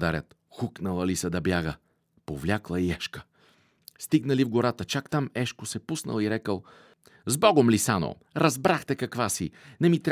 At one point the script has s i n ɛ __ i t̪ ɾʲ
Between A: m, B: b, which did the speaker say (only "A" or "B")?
A